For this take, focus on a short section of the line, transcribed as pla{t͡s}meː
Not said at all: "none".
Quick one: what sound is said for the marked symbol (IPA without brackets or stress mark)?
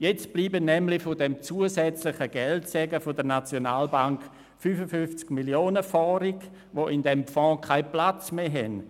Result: t͡s